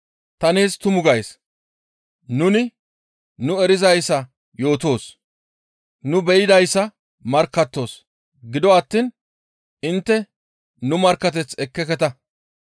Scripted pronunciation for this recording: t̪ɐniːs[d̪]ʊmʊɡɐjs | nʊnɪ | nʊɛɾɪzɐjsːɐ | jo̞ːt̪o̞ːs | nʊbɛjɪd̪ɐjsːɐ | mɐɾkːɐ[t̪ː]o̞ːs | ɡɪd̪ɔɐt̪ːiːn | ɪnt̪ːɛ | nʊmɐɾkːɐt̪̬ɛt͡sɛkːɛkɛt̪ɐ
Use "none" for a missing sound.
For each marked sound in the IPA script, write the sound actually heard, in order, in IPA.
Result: t̪, t̪ː

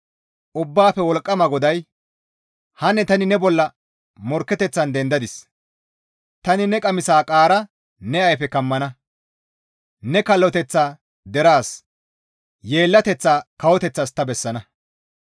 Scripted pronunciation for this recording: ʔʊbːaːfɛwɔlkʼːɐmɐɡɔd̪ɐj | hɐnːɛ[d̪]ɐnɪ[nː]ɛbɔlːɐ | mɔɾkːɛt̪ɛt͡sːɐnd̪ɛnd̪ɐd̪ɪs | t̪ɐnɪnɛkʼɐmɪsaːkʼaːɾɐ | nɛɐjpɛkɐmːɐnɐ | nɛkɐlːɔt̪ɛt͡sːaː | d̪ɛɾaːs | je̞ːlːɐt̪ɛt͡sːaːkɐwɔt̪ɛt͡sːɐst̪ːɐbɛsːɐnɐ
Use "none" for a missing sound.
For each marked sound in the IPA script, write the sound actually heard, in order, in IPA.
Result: t̪, n

